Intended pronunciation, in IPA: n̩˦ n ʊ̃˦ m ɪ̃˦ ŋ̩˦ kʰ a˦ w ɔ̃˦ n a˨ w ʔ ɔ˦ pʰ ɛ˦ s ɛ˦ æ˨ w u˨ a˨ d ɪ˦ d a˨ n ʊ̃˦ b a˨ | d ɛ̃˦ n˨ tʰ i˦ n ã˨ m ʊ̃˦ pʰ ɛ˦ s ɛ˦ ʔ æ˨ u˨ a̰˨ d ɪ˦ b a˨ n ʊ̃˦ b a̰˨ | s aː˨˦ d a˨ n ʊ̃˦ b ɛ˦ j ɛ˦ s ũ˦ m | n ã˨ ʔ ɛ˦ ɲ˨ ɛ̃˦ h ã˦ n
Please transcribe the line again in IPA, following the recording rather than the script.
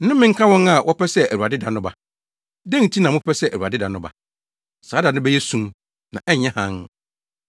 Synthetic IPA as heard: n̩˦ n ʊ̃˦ m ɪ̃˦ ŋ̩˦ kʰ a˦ w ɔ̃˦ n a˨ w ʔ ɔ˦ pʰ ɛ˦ s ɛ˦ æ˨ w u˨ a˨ d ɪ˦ d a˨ n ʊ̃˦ b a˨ | d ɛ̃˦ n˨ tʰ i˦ n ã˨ m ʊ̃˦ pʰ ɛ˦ s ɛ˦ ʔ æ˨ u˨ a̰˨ d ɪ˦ d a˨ n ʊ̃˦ b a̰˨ | s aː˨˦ d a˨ n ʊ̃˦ b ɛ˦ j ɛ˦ s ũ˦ m | n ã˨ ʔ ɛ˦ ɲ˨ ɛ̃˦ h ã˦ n

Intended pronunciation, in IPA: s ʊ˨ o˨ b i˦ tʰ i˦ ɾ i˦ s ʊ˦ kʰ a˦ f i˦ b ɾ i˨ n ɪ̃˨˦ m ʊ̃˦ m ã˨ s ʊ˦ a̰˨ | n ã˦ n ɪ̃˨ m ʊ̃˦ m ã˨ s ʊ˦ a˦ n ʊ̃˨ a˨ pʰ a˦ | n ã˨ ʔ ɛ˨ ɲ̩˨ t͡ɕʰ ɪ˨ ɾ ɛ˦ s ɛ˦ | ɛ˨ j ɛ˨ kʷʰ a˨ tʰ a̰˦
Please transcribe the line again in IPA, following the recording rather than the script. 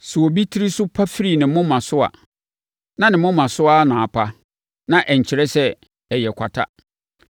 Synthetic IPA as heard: s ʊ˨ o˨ b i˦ tʰ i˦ ɾ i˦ s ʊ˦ pʰ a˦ f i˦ ɾ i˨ n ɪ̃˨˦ m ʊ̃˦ m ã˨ s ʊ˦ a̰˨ | n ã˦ n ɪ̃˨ m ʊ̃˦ m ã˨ s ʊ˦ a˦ n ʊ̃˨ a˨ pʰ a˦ | n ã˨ ʔ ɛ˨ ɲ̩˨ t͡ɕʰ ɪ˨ ɾ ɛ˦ s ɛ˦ | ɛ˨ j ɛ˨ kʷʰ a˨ tʰ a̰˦

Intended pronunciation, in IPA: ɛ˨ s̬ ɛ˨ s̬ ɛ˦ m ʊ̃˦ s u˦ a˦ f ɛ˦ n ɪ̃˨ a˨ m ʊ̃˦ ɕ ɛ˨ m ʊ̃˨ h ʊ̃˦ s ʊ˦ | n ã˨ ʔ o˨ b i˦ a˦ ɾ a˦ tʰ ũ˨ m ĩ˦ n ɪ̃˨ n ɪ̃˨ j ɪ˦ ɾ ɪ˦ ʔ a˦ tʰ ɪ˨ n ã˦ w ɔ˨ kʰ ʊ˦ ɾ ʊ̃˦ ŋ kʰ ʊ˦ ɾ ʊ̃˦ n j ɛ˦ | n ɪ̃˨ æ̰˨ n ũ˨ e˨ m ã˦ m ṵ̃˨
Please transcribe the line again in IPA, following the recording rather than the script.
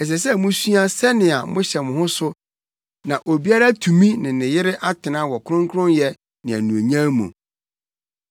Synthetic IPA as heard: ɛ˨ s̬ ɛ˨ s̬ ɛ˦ m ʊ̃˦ s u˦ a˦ s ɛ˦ n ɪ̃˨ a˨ m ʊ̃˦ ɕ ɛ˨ m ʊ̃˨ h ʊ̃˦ s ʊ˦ | n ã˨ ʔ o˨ b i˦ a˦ ɾ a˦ tʰ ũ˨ m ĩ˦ n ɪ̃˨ n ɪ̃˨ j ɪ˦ ɾ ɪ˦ ʔ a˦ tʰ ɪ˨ n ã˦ w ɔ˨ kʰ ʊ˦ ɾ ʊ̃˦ ŋ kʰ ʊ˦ ɾ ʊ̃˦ n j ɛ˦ | n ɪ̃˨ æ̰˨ n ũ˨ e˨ ɲ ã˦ m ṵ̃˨

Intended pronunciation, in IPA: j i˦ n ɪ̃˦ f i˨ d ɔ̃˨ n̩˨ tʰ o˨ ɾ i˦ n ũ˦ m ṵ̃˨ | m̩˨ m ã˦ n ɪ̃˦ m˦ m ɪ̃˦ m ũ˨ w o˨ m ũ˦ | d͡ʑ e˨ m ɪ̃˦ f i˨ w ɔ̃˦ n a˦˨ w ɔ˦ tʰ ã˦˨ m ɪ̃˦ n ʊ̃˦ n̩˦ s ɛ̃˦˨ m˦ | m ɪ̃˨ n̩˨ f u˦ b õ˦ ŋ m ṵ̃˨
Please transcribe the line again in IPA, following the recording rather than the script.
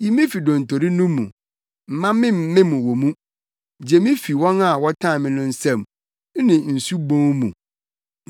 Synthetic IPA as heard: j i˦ m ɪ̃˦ f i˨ d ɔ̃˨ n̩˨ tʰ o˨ ɾ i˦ n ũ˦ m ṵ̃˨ | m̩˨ m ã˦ m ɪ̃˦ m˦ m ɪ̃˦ m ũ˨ w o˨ m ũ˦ | d͡ʑ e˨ m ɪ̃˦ f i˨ w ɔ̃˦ n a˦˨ w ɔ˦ tʰ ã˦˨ m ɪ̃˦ n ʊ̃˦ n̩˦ s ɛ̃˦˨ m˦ | n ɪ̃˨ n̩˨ s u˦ b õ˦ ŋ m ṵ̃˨

